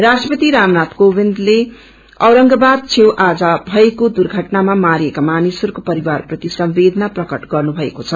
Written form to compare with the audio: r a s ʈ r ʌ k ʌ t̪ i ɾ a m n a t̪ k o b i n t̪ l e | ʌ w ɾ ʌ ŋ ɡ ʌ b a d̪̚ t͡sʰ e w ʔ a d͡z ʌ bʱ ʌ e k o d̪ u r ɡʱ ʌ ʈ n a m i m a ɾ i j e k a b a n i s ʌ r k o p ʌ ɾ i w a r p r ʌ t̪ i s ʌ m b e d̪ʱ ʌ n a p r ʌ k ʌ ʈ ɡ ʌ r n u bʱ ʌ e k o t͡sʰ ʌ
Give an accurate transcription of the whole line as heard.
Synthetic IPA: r a s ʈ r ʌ p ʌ t̪ i ɾ a m n a t̪ k o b i n d̪ l e | ʌ w ɾ ʌ ŋ ɡ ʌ b a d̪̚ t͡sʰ e w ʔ a d͡z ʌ bʱ ʌ e k o d̪ u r ɡʱ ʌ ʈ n a m a m a ɾ i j e k a m a n i s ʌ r k o p ʌ ɾ i w a r p r ʌ t̪ i s ʌ m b e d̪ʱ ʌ n a p r ʌ k ʌ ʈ ɡ ʌ r n u bʱ ʌ e k o t͡sʰ ʌ

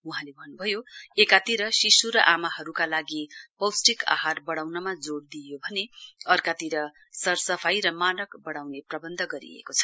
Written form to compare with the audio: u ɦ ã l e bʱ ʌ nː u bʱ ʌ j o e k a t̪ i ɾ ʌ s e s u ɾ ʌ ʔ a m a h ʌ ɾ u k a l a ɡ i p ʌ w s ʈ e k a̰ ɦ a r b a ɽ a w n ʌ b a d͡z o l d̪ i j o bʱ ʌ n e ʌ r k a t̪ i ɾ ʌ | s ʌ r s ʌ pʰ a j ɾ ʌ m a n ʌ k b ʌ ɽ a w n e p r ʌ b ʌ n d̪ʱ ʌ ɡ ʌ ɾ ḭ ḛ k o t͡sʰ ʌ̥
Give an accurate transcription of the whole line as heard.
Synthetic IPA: u ɦ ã l e bʱ ʌ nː u bʱ ʌ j o e k a t̪ i ɾ ʌ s i s u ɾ ʌ ʔ a m a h ʌ ɾ u k a l a ɡ i p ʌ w s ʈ i k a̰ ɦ a r b ʌ ɽ a w n ʌ m a d͡z o ɽ d̪ i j o bʱ ʌ n e ʌ r k a t̪ i ɾ ʌ | s ʌ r s ʌ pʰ a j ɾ ʌ m a n ʌ k b ʌ ɽ a w n e p r ʌ b ʌ n d̪ʱ ʌ ɡ ʌ ɾ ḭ ḛ k o t͡sʰ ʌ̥

